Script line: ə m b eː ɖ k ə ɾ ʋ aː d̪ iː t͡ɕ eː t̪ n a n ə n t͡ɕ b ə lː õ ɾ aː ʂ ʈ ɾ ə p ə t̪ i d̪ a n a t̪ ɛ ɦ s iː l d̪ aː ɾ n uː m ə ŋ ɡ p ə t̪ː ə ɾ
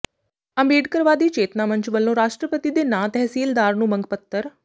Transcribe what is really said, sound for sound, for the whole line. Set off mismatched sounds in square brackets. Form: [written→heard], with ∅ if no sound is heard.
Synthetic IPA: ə m b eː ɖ k ə ɾ ʋ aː d̪ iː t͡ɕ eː t̪ n a [n→m] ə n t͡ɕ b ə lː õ ɾ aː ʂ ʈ ɾ ə p ə t̪ i d̪ [a→e] n a t̪ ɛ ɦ s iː l d̪ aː ɾ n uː m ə ŋ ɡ p ə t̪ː ə ɾ